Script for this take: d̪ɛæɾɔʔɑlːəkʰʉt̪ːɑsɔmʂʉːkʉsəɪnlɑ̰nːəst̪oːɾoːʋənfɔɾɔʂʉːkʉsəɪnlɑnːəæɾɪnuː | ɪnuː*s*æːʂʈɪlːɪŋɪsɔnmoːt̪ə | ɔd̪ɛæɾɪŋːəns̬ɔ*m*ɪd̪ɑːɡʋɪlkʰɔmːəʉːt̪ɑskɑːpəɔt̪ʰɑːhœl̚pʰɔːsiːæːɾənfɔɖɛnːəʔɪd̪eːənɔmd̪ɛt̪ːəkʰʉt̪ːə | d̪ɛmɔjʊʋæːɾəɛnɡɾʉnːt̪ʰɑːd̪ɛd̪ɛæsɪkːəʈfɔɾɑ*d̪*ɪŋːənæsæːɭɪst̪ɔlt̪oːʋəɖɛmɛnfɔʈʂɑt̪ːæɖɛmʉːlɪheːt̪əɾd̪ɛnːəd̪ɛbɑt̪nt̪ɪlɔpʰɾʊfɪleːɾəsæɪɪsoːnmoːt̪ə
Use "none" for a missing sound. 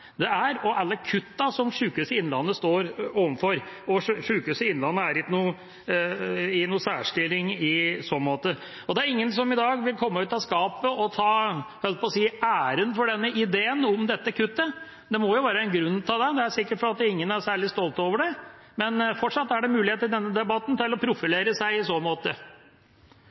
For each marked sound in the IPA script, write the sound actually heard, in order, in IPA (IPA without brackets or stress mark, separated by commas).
s, m, t̪